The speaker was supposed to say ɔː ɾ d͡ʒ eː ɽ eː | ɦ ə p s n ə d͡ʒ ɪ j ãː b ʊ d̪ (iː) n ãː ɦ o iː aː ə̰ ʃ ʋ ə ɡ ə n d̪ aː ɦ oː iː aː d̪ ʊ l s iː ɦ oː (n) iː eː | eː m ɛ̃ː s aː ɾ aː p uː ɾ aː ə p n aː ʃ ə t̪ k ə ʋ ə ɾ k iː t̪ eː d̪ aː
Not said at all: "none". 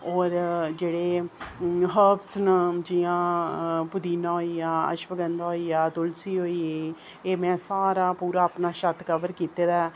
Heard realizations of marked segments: iː, none

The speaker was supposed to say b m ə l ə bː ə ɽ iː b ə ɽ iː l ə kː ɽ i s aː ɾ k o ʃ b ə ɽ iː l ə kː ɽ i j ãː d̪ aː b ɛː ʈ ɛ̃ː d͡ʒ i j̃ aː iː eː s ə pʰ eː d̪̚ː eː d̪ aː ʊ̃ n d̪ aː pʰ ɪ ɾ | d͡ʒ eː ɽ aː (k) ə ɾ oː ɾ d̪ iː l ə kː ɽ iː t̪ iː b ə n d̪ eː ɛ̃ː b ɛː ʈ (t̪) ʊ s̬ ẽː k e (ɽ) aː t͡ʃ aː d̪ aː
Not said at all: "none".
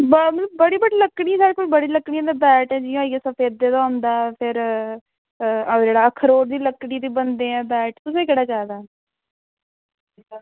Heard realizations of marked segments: kʰ, t̪, ɽ

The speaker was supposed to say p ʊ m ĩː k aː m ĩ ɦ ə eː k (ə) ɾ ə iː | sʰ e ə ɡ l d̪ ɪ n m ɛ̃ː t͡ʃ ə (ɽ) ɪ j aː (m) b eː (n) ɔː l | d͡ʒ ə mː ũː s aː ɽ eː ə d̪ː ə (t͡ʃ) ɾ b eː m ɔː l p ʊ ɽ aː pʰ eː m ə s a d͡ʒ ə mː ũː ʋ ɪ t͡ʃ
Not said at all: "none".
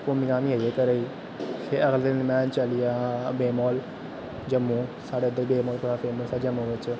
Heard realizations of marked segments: ə, l, none, m, none

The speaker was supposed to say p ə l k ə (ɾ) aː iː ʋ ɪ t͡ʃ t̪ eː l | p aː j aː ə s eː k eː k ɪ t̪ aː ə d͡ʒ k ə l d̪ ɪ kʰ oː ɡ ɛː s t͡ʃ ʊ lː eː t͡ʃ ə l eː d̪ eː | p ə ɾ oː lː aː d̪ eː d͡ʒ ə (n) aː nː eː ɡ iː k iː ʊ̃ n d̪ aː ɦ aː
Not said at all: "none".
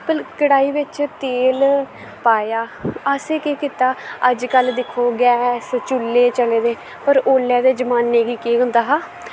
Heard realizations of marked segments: ɽ, m

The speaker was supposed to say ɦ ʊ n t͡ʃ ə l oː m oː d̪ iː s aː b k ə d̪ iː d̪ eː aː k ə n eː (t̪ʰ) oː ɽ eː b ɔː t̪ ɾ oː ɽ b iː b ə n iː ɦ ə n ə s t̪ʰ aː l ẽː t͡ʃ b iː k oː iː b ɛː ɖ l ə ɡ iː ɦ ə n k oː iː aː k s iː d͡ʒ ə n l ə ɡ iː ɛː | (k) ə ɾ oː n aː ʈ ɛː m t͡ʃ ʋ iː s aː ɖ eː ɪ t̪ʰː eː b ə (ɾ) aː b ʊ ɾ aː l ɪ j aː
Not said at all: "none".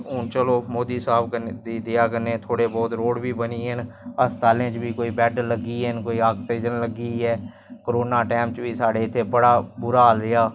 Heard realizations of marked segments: t̪ʰ, k, ɽ

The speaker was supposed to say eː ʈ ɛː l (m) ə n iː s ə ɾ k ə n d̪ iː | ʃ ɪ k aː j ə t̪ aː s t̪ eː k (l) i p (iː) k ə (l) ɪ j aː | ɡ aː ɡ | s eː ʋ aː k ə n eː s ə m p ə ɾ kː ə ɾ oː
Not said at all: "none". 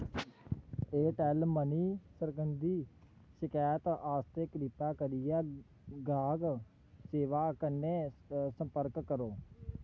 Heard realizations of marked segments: m, ɾ, aː, ɾ

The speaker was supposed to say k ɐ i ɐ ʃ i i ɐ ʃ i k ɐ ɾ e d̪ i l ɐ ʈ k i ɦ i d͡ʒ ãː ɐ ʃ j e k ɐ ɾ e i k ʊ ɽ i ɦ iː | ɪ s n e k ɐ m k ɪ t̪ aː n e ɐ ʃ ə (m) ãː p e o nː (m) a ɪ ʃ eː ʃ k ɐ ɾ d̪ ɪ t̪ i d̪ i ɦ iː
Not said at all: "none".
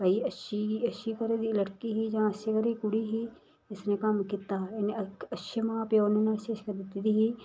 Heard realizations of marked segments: m, n

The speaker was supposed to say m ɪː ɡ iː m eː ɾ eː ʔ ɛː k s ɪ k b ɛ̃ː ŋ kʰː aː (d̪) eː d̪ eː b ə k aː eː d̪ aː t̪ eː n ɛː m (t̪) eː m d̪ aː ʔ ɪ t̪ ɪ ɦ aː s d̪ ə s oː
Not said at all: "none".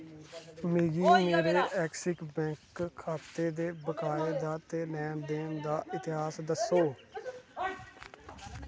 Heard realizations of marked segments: t̪, d̪

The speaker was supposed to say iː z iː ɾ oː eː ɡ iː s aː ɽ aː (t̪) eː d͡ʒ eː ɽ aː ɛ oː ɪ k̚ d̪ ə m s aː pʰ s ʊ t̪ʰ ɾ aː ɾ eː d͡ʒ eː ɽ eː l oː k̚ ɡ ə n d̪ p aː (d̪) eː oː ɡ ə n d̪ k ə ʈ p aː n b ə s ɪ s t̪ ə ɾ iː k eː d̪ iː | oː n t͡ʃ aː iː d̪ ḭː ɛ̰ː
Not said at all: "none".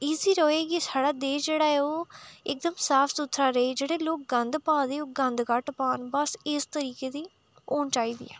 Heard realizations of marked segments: d̪, d̪

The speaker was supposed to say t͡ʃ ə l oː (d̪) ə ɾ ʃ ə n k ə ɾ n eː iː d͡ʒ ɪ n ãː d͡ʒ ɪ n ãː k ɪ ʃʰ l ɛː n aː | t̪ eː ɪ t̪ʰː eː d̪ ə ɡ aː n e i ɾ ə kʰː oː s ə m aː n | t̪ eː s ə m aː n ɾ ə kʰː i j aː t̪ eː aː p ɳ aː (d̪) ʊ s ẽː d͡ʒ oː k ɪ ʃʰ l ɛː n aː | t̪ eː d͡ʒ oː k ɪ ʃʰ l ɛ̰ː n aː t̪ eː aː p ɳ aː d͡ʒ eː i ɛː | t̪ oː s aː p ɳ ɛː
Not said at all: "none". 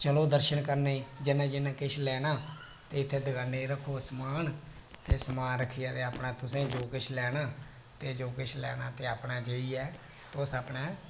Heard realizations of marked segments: d̪, t̪

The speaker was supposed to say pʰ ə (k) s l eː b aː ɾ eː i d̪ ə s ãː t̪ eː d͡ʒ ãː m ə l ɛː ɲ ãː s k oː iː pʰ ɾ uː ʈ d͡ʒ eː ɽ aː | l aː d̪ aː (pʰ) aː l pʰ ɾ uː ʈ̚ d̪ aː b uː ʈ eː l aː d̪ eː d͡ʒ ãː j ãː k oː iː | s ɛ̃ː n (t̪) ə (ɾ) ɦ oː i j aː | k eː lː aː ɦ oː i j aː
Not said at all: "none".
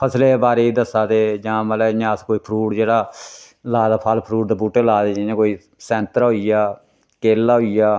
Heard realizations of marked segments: none, pʰ, t̪, ɾ

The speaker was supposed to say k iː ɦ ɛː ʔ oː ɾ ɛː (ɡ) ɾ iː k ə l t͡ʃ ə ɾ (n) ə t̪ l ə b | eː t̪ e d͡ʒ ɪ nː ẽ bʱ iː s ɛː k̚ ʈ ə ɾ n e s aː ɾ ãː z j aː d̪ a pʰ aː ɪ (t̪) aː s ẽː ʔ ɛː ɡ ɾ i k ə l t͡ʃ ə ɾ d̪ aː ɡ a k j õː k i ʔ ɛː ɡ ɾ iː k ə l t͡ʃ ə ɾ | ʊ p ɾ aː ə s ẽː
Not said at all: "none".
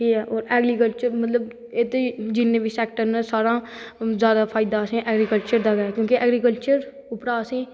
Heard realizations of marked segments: ɡ, m, d̪

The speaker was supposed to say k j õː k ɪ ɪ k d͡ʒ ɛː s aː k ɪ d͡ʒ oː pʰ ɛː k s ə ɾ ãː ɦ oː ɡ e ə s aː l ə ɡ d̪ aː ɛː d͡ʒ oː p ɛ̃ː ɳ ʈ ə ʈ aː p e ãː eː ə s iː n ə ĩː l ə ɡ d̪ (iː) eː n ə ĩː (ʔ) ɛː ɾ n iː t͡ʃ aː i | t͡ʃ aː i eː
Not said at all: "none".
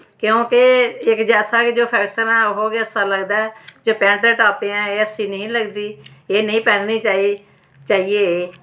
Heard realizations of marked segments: iː, p

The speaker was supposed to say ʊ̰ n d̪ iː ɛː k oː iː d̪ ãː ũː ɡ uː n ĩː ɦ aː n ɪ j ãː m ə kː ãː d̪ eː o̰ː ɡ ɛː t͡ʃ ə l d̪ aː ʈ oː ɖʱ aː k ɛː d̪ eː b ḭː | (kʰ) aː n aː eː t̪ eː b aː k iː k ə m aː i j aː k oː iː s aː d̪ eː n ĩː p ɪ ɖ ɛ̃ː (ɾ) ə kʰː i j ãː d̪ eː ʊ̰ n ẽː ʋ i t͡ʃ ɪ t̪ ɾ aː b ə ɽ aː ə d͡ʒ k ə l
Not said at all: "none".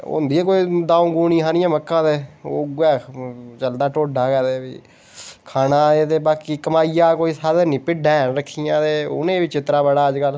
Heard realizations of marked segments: kʰ, ɾ

